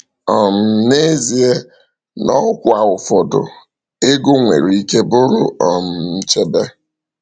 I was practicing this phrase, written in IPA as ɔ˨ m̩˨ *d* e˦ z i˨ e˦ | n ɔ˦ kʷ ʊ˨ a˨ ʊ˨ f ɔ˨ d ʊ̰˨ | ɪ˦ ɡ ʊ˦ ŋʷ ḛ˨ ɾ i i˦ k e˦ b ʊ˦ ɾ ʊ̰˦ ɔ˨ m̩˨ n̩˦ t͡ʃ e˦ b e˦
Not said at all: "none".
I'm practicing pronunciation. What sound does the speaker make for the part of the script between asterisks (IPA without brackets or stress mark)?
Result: n